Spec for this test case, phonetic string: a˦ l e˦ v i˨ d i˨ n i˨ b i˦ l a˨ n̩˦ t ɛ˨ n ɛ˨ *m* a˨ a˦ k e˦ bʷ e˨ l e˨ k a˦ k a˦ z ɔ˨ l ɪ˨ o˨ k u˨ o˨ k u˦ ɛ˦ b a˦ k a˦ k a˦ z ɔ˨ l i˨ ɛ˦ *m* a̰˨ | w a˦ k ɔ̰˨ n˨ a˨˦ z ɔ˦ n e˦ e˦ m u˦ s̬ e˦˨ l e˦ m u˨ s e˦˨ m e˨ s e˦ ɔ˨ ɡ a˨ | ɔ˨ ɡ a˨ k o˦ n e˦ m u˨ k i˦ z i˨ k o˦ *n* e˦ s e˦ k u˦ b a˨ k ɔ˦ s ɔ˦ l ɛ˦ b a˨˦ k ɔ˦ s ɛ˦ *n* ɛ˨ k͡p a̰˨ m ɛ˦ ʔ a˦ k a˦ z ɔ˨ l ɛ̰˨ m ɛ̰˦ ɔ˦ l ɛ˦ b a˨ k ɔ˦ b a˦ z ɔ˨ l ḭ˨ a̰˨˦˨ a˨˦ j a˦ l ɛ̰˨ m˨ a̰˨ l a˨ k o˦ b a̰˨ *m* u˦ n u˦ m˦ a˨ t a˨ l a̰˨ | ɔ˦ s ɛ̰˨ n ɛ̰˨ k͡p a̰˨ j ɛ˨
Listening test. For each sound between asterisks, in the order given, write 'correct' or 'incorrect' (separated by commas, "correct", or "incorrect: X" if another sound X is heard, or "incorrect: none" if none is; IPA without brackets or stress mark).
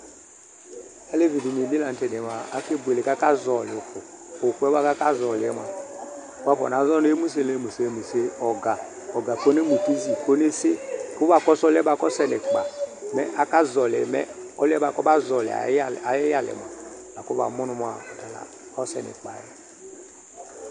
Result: correct, correct, correct, correct, correct